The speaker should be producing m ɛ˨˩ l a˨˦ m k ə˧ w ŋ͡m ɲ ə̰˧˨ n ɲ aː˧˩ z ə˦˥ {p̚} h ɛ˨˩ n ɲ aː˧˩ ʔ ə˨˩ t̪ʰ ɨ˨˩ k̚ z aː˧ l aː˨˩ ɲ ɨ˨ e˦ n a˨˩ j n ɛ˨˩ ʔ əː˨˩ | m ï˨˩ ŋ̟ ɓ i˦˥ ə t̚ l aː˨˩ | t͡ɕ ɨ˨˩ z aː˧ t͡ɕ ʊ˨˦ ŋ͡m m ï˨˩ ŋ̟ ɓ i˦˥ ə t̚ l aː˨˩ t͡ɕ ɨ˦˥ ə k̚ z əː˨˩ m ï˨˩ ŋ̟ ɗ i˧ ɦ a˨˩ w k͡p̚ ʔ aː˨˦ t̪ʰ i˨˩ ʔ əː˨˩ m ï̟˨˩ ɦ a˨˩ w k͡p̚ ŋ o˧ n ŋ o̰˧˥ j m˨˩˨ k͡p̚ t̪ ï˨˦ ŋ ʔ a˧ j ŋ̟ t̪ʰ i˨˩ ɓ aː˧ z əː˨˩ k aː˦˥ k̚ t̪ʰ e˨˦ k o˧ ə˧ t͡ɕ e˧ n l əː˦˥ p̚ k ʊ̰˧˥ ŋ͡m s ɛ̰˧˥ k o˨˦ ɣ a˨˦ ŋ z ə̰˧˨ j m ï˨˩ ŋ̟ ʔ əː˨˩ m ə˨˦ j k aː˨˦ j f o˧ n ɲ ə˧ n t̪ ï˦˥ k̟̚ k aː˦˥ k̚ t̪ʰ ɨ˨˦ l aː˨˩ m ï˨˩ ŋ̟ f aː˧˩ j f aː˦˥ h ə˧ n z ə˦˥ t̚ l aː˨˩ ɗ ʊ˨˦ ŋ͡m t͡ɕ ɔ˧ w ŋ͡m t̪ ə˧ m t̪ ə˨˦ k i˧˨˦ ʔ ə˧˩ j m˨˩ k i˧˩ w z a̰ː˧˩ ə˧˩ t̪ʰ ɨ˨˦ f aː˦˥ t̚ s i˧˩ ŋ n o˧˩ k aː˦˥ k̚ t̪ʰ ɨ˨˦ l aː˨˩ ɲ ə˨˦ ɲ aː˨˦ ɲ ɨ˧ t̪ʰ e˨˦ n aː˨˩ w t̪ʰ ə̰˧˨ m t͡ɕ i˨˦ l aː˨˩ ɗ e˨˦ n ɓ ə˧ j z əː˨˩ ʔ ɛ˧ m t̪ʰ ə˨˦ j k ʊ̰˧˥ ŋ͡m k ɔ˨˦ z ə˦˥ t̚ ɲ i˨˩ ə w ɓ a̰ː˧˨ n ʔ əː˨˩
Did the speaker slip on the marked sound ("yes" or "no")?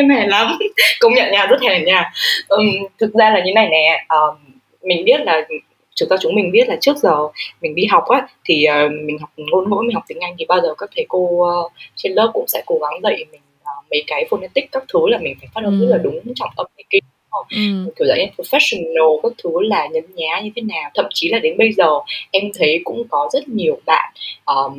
yes